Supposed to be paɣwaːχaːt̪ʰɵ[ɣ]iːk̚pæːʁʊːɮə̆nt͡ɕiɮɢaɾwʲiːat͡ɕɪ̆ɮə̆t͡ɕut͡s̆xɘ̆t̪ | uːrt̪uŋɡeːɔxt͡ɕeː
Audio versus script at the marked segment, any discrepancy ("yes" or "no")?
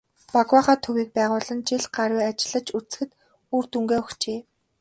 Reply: yes